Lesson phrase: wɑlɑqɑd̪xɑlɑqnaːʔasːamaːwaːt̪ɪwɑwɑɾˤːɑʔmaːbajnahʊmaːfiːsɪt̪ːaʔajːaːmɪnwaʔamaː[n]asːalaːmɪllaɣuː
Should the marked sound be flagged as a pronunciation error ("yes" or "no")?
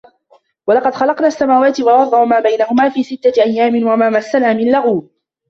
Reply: yes